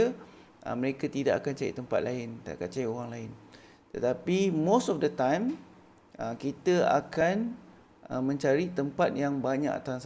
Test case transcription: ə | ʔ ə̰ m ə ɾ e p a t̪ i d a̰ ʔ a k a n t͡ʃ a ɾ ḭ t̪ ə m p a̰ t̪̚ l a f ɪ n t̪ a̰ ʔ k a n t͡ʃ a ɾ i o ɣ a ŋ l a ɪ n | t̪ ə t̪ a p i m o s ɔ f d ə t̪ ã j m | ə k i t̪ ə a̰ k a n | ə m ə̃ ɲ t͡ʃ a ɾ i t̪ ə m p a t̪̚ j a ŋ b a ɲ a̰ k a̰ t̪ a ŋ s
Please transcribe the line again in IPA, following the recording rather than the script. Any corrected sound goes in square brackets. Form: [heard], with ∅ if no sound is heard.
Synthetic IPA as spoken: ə | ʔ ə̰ m ə ɾ e [k] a t̪ i d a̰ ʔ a k a n t͡ʃ a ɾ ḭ t̪ ə m p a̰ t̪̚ l a [∅] ɪ n t̪ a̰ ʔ k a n t͡ʃ a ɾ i o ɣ a ŋ l a ɪ n | t̪ ə t̪ a p i m o s ɔ f d ə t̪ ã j m | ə k i t̪ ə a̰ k a n | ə m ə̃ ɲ t͡ʃ a ɾ i t̪ ə m p a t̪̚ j a ŋ b a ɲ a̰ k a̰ t̪ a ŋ s